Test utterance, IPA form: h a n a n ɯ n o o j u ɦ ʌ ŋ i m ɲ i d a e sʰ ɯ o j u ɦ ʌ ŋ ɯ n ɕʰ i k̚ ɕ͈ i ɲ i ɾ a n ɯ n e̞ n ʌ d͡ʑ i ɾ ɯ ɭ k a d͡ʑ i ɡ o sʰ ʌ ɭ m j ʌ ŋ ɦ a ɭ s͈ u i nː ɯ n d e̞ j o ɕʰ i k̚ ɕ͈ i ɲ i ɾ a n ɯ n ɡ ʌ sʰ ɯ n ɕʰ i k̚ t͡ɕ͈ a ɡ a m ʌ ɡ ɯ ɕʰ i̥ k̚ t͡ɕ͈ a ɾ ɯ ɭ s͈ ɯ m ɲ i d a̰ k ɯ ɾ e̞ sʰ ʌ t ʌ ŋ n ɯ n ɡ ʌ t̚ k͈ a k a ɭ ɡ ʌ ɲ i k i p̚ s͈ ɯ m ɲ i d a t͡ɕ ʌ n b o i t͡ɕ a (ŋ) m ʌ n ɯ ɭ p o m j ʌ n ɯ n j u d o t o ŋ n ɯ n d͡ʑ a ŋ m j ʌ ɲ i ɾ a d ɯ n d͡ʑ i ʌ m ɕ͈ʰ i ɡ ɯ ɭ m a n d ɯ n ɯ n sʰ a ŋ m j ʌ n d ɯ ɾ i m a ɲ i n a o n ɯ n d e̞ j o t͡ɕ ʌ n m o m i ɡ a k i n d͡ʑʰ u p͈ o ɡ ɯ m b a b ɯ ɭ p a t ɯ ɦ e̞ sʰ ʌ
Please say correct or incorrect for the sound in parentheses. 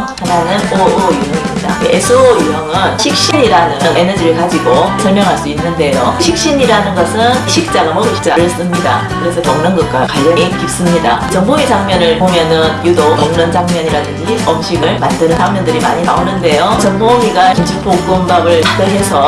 correct